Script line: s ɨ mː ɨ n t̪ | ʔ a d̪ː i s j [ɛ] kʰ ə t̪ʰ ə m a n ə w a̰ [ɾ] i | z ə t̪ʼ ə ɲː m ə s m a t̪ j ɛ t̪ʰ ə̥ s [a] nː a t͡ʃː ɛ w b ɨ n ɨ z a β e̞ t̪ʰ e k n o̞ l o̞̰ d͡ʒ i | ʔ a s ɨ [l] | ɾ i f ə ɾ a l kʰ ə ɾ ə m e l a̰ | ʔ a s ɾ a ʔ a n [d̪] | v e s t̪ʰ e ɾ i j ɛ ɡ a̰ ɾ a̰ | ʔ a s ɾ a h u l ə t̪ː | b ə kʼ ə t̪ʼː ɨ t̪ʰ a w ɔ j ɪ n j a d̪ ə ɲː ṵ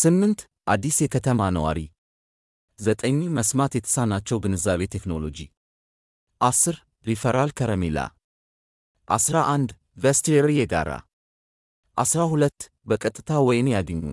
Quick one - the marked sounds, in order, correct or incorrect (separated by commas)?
correct, correct, correct, incorrect, correct